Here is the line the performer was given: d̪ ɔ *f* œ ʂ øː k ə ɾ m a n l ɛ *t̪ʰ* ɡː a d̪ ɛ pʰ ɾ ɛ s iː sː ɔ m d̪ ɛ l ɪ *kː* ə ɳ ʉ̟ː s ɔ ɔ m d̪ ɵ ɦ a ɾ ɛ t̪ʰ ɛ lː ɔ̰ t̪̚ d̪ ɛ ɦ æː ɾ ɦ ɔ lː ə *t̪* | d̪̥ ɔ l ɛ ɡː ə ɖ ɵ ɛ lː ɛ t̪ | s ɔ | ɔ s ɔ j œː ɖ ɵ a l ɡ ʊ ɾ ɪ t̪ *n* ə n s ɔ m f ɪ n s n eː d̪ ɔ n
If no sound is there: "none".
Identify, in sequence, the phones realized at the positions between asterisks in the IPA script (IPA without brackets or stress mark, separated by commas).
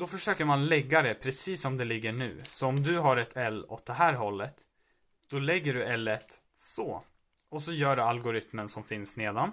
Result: f, none, ɡː, t̪, m